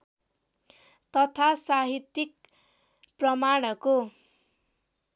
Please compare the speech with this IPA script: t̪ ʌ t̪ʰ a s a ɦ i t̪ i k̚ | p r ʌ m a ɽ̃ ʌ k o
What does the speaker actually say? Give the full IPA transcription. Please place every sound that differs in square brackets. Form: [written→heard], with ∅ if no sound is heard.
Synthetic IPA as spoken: t̪ ʌ t̪ʰ a s a ɦ i t̪ i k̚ | p r ʌ m a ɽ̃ ʌ k o